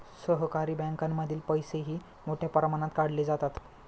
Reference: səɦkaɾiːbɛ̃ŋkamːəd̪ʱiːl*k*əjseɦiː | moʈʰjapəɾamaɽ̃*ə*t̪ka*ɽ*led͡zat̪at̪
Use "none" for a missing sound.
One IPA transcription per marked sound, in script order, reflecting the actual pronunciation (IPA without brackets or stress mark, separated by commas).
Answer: p, a, ɽ